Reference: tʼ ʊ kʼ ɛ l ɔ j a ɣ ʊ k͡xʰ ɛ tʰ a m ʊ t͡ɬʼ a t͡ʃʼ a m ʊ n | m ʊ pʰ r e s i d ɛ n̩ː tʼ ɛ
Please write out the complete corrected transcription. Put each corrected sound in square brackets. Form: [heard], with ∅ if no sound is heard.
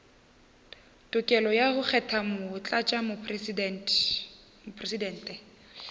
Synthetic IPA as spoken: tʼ ʊ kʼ ɛ l ɔ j a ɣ ʊ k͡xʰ ɛ tʰ a m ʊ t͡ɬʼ a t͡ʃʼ a m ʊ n | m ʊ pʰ r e s i d ɛ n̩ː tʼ ɛ